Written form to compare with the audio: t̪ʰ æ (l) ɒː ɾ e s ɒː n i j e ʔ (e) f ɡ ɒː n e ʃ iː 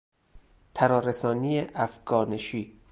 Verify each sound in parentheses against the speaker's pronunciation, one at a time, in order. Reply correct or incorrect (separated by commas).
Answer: incorrect, incorrect